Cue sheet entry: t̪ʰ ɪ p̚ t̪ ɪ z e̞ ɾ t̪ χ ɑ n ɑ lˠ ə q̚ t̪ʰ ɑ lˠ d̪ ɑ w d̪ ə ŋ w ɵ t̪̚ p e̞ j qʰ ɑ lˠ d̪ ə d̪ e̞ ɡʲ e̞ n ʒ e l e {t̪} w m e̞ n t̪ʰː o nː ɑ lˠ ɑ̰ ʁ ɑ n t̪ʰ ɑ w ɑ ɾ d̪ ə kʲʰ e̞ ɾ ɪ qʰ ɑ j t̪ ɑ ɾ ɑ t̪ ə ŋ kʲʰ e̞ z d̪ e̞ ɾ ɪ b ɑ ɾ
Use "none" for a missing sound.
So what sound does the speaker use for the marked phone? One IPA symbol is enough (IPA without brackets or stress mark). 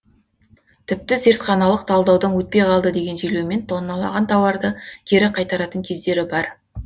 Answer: none